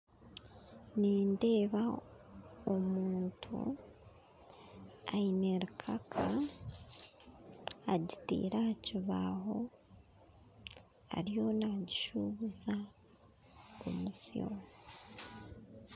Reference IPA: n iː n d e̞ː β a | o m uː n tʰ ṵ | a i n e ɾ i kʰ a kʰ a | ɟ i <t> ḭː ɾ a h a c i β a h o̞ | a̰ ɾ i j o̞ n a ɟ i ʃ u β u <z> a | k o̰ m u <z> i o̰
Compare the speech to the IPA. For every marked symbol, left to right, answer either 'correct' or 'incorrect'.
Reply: correct, correct, incorrect

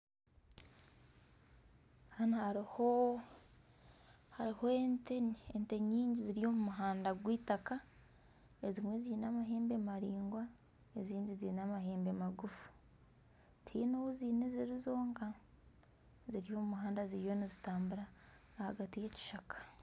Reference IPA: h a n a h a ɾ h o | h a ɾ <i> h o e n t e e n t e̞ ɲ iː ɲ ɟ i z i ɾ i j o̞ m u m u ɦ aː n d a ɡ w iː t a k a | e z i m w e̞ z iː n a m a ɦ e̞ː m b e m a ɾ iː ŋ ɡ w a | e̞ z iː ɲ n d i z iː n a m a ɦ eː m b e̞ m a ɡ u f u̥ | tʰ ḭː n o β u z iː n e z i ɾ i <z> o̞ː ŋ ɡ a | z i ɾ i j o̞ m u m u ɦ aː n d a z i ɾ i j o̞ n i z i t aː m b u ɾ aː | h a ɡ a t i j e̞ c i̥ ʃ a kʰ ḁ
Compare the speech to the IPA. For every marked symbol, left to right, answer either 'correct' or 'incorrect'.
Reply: correct, correct

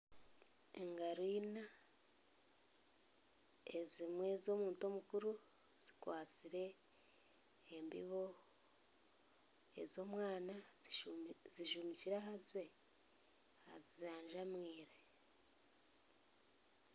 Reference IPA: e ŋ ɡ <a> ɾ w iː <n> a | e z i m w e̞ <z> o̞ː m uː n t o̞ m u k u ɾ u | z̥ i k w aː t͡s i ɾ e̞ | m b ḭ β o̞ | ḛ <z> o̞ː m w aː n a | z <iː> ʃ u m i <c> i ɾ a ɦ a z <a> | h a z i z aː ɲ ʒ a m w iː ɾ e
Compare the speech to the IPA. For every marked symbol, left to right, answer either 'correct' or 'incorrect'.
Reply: correct, correct, correct, correct, incorrect, correct, incorrect

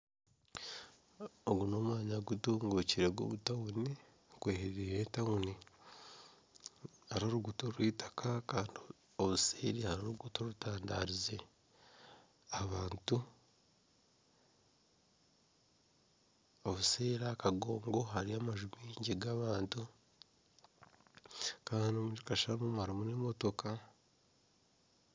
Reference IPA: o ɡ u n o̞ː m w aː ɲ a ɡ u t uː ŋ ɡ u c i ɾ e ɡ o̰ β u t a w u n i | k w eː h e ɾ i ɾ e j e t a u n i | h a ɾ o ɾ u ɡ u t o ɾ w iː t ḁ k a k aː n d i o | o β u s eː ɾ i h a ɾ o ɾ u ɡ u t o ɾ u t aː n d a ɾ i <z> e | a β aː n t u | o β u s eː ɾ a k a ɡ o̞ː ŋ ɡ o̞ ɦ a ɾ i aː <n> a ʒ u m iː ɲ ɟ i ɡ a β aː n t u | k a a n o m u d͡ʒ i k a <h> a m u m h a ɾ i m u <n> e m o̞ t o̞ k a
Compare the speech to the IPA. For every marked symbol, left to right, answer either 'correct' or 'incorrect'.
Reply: correct, incorrect, incorrect, correct

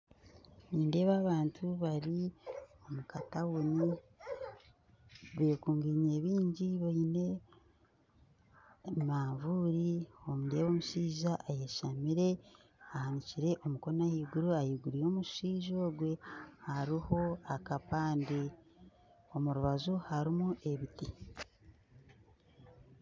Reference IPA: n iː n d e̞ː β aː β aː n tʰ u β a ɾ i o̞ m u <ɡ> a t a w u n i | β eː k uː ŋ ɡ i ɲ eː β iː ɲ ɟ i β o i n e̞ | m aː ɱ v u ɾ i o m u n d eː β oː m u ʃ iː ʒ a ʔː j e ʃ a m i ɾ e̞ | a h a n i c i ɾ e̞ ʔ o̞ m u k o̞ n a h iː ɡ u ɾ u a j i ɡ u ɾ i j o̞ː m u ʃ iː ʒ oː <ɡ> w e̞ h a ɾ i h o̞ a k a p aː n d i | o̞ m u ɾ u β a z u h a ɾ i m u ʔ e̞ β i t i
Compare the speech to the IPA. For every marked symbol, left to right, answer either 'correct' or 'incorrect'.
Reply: incorrect, correct

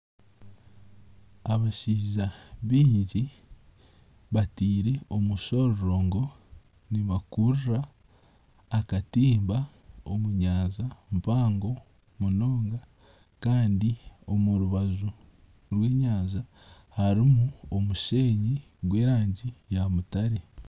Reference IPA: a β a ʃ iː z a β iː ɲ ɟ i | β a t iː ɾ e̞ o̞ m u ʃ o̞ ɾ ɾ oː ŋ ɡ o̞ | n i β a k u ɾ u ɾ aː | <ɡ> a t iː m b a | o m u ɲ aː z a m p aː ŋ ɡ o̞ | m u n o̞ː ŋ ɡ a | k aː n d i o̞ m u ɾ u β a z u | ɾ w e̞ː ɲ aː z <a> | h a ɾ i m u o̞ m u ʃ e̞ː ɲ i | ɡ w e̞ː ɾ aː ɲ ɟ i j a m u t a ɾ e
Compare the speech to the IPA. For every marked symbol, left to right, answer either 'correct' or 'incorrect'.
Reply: incorrect, correct

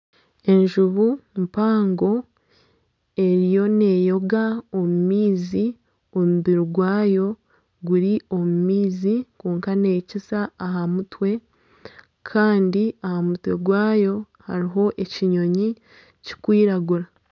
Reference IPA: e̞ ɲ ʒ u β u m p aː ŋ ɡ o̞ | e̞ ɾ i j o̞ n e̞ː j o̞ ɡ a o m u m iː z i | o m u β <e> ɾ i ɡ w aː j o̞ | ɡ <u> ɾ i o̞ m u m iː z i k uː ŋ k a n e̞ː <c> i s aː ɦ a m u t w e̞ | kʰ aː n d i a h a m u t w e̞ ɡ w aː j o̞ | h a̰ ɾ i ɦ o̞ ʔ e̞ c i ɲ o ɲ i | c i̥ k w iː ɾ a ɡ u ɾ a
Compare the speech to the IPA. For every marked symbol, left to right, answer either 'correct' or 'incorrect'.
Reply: incorrect, correct, correct

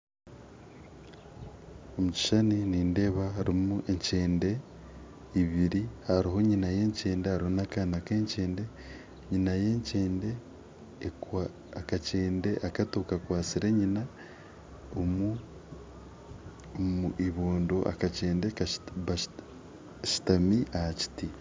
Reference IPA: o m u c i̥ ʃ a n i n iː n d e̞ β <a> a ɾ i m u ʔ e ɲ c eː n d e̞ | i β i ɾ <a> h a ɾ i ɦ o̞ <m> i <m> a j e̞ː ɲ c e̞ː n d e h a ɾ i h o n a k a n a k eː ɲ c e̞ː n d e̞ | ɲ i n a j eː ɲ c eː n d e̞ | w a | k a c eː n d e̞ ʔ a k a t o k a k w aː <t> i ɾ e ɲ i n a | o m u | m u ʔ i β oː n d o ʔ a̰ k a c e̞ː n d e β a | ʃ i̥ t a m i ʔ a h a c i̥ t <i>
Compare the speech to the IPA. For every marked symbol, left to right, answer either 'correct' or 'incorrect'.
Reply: correct, incorrect, incorrect, incorrect, incorrect, correct

